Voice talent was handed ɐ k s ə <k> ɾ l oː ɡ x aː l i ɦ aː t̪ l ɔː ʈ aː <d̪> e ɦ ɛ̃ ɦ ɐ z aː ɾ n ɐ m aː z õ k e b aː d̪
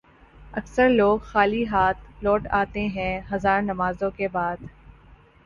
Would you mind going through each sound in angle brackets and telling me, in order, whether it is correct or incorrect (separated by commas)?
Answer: incorrect, incorrect